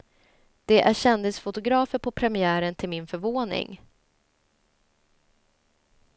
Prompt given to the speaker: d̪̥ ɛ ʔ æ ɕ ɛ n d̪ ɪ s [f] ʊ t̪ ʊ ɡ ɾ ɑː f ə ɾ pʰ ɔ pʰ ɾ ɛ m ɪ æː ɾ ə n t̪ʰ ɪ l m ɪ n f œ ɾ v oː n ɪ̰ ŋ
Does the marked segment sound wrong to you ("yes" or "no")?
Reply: no